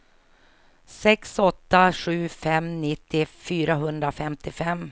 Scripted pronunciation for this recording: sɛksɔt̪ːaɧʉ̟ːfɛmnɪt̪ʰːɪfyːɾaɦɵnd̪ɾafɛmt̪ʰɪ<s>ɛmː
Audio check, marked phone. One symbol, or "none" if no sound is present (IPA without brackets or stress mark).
f